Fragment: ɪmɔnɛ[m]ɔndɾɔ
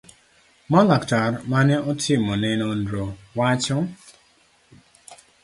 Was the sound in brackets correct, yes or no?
no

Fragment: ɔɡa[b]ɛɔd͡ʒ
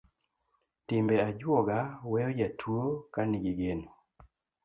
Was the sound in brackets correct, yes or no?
no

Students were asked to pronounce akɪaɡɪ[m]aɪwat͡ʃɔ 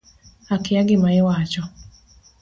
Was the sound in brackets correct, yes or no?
yes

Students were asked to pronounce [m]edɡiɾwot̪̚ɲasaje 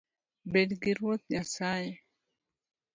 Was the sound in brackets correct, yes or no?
no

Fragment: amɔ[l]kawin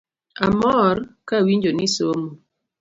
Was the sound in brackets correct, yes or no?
no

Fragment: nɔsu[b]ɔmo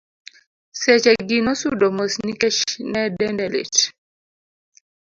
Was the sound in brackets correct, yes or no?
no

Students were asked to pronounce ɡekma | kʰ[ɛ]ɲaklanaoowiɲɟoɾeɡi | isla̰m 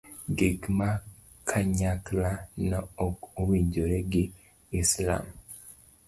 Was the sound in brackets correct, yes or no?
no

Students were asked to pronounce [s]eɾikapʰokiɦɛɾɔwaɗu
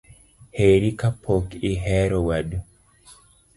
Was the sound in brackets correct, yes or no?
no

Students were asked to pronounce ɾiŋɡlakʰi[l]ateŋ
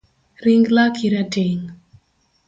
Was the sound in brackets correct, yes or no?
no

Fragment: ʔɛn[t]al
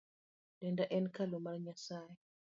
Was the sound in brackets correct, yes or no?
no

